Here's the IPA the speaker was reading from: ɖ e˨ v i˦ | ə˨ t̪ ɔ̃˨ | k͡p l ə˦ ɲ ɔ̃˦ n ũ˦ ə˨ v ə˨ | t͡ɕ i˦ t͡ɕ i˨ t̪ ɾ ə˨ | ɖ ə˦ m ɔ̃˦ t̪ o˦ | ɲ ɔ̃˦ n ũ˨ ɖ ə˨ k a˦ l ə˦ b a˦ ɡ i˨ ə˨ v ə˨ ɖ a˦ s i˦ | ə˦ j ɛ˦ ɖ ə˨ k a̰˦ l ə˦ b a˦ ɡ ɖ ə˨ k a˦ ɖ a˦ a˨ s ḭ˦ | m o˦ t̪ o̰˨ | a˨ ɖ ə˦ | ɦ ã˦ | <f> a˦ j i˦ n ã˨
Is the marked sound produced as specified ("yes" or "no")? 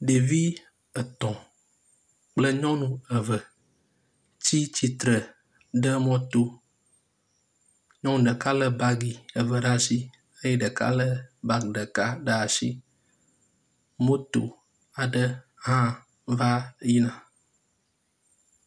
no